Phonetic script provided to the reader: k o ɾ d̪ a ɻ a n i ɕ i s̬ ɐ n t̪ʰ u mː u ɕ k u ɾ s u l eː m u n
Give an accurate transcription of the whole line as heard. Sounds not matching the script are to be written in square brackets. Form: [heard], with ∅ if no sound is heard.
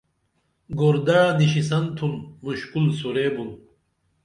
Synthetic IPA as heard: [ɡ] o ɾ d̪ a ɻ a n i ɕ i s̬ ɐ n t̪ʰ u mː u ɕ k u [l] s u [ɾ] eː [b] u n